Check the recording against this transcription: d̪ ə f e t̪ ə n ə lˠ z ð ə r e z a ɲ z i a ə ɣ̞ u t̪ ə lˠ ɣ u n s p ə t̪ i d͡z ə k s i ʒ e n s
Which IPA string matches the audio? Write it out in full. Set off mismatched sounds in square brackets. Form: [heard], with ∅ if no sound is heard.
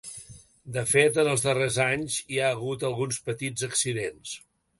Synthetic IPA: d̪ ə f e t̪ ə n ə lˠ z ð ə r e z a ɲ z i a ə ɣ̞ u t̪ ə lˠ ɣ u n s p ə t̪ i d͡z ə k s i [ð] e n s